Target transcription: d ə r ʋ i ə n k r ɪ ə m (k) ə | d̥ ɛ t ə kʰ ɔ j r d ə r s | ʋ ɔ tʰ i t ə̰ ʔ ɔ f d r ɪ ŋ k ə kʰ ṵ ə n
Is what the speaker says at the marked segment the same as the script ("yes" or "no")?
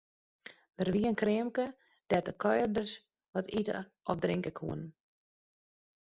yes